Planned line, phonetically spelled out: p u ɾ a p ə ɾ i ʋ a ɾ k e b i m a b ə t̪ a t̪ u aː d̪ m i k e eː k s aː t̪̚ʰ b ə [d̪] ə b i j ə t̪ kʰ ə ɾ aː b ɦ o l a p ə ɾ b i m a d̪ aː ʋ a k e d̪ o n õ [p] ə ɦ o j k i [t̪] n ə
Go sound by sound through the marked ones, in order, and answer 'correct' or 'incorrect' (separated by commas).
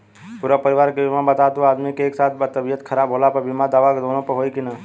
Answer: incorrect, correct, incorrect